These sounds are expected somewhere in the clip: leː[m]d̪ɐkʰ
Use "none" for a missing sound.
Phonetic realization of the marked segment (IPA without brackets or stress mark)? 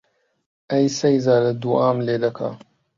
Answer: none